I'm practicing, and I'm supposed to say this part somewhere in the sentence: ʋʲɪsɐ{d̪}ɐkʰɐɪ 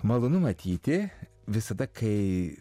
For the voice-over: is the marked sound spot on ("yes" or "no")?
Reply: yes